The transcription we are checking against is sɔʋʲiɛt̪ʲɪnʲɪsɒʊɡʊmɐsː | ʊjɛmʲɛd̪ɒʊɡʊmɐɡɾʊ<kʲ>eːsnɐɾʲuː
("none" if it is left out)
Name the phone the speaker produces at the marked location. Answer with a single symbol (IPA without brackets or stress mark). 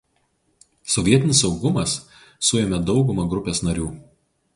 pʲ